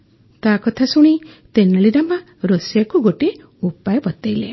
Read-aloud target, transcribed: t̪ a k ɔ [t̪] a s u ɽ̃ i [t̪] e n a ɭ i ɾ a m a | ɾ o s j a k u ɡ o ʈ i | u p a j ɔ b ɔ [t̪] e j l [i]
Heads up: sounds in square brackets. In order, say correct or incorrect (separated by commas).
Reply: incorrect, correct, correct, incorrect